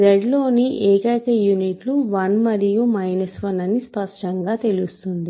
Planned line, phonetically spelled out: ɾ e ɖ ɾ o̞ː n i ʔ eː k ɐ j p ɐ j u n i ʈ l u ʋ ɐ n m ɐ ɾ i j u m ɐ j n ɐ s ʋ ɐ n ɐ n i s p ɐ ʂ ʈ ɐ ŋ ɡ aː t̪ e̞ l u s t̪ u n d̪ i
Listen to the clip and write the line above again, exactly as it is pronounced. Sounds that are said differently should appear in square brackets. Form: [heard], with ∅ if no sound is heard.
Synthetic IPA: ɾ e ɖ [l] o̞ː n i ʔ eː k ɐ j [k] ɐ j u n i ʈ l u ʋ ɐ n m ɐ ɾ i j u m ɐ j n ɐ s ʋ ɐ n ɐ n i s p ɐ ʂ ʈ ɐ ŋ ɡ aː t̪ e̞ l u s t̪ u n d̪ i